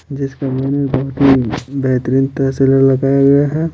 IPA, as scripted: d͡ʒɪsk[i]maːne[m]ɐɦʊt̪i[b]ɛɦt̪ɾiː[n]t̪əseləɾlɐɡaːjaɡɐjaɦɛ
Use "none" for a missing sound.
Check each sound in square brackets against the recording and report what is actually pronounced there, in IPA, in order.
a, b, b, n

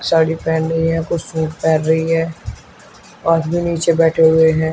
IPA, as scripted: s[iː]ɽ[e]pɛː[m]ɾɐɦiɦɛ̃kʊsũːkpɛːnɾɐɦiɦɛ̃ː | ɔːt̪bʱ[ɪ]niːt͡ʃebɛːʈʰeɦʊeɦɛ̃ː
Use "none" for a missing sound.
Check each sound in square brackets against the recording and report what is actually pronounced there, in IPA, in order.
aː, i, n, i

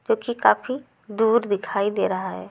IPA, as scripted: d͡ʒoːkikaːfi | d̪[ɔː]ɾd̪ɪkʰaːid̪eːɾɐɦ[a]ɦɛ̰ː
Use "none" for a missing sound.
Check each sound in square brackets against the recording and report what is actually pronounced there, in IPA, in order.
uː, a

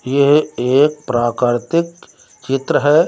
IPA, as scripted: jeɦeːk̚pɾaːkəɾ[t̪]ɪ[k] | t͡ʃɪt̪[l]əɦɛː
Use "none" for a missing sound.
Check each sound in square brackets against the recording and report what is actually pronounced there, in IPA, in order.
t̪, k, ɾ

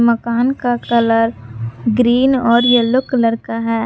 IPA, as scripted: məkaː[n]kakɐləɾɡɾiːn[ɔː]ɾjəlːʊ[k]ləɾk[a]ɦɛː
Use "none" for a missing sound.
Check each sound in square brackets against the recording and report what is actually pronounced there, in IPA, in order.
n, ɔː, k, a

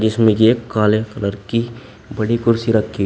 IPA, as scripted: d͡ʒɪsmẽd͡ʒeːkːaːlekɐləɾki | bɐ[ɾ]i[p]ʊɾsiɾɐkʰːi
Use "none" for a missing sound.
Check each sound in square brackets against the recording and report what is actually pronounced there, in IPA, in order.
ɽ, k

